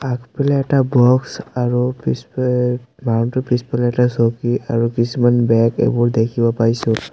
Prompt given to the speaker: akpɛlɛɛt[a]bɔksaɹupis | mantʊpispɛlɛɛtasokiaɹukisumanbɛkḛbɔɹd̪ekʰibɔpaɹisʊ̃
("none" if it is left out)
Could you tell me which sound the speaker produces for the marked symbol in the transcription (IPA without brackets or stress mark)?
a